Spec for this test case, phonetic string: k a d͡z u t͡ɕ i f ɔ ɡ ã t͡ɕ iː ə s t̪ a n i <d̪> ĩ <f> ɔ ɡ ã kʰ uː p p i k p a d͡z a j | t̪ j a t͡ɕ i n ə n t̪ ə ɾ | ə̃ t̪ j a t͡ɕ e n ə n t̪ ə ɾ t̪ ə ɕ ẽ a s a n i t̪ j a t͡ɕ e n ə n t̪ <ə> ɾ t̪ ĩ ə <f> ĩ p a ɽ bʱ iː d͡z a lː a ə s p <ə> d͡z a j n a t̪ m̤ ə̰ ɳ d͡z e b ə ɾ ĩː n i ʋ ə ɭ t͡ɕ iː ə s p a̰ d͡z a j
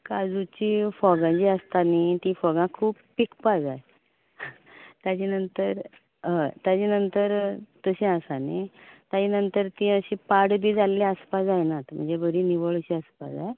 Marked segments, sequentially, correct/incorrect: incorrect: t̪, correct, correct, incorrect: ɕ, incorrect: a

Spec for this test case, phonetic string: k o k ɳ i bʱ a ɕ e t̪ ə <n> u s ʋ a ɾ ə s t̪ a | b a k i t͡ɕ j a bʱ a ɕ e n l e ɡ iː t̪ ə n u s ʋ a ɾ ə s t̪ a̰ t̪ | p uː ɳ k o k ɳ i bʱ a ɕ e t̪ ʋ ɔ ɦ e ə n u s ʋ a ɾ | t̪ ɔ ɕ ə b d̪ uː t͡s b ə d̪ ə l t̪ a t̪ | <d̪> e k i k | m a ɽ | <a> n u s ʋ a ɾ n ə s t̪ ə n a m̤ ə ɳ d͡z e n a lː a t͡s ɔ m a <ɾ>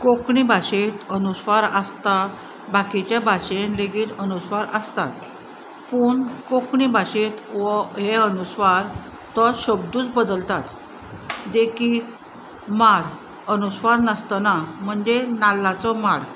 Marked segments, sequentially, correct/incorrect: correct, correct, incorrect: ə, incorrect: ɽ

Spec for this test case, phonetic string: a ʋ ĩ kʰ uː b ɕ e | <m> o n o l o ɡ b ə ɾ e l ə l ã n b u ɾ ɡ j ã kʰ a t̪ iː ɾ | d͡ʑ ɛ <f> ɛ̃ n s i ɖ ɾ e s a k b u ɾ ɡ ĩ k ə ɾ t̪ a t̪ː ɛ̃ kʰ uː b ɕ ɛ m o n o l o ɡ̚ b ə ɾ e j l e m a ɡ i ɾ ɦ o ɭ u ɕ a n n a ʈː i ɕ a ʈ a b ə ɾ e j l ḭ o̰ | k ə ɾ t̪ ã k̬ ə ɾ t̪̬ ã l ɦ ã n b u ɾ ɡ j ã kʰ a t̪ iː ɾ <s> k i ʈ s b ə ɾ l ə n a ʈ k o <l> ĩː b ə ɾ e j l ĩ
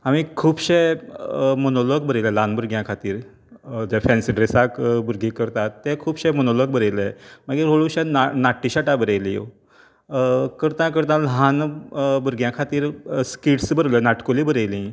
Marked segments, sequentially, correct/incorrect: correct, correct, correct, correct

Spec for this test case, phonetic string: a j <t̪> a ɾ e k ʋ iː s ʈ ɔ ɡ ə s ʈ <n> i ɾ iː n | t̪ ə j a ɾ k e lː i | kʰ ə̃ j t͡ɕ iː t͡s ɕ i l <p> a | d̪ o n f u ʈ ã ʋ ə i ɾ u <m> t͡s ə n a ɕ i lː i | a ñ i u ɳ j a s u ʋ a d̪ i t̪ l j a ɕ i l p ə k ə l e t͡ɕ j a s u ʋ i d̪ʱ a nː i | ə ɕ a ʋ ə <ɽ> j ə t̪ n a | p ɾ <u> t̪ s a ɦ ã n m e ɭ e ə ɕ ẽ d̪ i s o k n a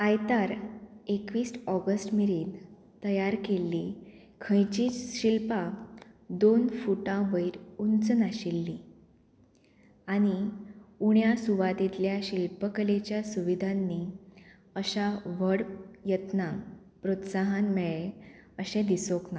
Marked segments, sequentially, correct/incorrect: correct, incorrect: m, correct, incorrect: n, correct, incorrect: o

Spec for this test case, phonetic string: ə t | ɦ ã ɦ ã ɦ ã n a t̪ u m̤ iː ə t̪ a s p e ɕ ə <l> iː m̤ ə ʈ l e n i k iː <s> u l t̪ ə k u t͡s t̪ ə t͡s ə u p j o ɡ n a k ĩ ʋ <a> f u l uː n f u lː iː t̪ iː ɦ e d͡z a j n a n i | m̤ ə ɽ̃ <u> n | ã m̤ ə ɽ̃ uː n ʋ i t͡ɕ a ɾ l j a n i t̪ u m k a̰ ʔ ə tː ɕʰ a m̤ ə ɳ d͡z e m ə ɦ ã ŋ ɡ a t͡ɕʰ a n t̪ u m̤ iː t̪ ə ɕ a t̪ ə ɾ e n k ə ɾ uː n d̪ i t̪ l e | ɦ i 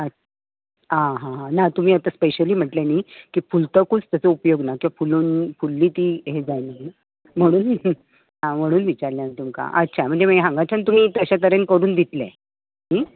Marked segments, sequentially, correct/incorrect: correct, incorrect: f, correct, incorrect: uː

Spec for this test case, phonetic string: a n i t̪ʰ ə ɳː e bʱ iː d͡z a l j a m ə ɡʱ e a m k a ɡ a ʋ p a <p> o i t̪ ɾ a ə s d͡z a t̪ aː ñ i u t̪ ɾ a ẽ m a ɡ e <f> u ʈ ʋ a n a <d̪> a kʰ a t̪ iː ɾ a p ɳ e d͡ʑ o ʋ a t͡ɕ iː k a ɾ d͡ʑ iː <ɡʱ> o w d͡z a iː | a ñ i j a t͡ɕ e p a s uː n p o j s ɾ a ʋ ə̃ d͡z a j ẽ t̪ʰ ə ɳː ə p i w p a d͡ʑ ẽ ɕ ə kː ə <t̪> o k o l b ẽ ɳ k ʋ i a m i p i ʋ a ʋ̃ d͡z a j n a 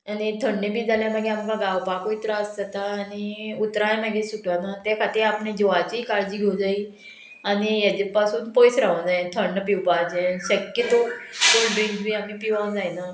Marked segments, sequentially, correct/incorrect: incorrect: k, incorrect: s, incorrect: t̪, correct, correct

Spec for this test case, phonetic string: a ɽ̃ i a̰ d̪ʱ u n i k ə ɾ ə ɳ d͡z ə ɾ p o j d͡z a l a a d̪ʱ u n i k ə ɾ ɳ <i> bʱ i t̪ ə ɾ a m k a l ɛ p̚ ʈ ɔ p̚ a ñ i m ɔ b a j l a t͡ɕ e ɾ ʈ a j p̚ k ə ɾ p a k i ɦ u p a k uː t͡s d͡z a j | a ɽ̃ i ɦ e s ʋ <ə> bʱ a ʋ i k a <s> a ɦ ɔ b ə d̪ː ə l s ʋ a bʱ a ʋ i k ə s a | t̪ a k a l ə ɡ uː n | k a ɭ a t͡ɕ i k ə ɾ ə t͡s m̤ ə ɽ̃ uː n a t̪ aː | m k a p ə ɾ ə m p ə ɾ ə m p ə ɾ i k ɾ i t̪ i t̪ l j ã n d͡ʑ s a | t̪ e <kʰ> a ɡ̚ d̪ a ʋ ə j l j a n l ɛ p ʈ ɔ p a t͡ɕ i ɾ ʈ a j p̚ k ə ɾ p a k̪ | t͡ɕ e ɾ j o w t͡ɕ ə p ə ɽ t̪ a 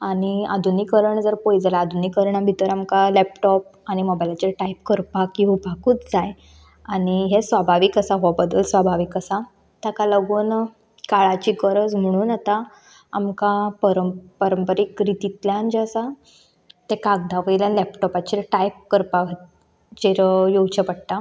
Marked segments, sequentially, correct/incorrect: incorrect: a, incorrect: a, correct, incorrect: k

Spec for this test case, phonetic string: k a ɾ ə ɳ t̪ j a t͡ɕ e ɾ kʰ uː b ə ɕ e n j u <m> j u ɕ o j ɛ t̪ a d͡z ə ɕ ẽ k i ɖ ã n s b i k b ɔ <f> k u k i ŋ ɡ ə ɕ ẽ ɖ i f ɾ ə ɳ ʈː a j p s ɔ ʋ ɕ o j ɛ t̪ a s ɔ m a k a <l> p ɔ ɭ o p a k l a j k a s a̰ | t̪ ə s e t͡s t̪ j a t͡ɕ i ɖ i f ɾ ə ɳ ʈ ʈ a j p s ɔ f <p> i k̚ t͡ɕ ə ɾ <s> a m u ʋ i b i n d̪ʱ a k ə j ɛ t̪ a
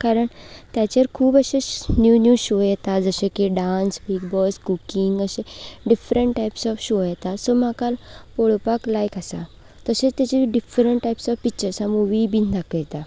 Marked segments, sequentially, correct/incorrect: incorrect: n, incorrect: s, correct, correct, correct

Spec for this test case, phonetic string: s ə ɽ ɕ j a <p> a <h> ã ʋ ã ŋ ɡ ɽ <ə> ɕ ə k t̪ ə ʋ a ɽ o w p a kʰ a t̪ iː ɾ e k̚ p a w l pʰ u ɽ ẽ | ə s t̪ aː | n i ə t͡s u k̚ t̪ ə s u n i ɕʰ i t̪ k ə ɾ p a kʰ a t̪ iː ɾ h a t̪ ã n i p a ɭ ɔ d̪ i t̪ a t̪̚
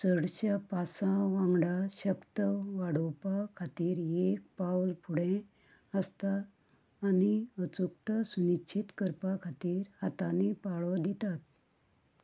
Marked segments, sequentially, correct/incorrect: correct, incorrect: s, incorrect: a

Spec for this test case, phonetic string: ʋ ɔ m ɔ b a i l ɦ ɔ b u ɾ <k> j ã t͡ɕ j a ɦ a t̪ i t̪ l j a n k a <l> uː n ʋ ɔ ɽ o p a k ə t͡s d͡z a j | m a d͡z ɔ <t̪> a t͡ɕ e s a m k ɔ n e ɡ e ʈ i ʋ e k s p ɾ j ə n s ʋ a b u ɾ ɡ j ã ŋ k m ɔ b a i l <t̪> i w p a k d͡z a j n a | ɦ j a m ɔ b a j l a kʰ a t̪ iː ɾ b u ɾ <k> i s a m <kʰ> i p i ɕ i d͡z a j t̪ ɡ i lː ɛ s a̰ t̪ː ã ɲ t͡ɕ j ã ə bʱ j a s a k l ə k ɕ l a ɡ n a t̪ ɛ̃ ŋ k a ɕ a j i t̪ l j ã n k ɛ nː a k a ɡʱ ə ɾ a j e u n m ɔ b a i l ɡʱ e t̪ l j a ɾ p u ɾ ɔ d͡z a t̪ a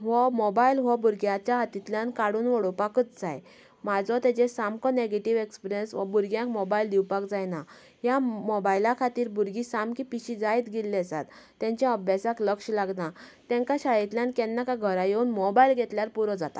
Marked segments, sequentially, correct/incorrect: incorrect: ɡ, incorrect: ɽ, correct, incorrect: d̪, incorrect: ɡ, incorrect: k

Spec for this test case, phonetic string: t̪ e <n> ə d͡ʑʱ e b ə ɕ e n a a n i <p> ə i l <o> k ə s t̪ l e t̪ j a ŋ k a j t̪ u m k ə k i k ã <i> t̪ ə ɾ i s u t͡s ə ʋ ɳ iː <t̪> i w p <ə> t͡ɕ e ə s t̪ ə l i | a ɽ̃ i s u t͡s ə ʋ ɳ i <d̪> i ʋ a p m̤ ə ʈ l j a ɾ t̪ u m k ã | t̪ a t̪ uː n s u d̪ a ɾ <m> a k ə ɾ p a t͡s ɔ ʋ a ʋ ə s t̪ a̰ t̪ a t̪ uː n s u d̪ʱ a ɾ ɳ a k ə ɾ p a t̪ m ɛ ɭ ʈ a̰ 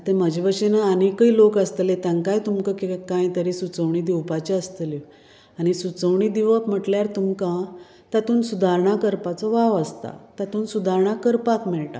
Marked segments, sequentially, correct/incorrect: incorrect: m, incorrect: k, correct, incorrect: j, incorrect: d̪, incorrect: a, correct, incorrect: ɳ

